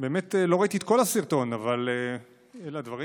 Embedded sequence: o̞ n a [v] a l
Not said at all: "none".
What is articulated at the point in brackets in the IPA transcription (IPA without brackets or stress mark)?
v